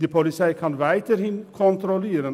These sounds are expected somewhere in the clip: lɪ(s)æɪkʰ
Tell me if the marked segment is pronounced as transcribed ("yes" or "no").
yes